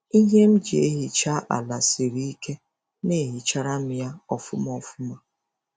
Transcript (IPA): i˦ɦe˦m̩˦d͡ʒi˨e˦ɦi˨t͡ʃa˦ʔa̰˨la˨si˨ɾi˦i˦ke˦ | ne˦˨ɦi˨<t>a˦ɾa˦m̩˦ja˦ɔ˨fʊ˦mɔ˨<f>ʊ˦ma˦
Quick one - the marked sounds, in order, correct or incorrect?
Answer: incorrect, correct

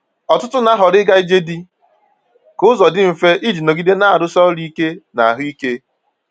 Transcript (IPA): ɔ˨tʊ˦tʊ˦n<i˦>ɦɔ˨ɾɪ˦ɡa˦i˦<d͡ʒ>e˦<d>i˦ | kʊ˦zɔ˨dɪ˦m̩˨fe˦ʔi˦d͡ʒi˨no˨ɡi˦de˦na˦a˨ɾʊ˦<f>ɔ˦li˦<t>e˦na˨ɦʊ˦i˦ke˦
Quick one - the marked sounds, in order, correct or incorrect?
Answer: incorrect, correct, correct, incorrect, incorrect

